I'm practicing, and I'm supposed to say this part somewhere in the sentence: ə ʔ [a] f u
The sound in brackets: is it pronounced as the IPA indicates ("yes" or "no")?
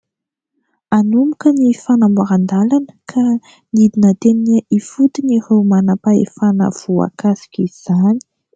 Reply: no